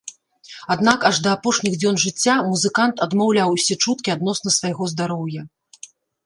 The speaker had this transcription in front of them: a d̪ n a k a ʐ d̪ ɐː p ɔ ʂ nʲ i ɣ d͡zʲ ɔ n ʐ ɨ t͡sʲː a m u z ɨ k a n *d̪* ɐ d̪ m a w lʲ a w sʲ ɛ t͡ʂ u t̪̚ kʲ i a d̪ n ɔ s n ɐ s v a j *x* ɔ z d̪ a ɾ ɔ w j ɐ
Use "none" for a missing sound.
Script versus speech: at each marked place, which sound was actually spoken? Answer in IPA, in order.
t̪, ɣ

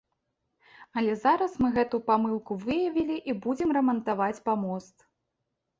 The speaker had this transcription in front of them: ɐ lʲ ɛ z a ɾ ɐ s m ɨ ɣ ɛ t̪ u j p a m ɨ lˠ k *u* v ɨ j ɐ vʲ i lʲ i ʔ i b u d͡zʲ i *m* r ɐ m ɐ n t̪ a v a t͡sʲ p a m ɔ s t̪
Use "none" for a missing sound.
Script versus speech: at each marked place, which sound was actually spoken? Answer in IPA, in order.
u, m

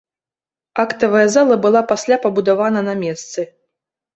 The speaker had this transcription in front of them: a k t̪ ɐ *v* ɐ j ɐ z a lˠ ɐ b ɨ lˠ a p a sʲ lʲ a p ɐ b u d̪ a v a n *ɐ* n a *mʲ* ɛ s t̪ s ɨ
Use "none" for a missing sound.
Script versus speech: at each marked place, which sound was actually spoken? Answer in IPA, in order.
v, ɐ, mʲ

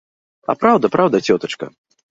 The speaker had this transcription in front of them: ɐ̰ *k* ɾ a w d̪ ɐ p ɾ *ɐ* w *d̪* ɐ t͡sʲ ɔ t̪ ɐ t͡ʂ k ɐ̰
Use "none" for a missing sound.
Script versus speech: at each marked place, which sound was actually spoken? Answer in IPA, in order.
p, a, d̪

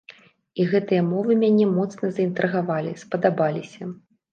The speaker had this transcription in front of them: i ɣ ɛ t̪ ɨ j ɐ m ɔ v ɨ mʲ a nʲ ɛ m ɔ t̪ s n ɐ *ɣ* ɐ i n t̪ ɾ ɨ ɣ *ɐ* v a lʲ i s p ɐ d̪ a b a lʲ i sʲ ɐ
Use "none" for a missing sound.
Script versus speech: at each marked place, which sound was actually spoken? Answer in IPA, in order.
z, a

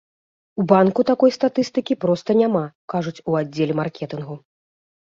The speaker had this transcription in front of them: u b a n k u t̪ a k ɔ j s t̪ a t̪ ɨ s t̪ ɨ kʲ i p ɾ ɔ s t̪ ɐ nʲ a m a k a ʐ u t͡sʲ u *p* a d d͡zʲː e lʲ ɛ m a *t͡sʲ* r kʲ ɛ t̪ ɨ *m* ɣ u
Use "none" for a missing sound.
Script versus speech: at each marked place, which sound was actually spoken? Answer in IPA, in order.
none, none, n

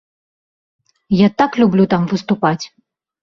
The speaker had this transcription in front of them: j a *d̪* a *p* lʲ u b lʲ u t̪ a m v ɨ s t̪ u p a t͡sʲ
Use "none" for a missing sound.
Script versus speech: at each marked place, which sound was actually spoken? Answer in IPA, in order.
t̪, k

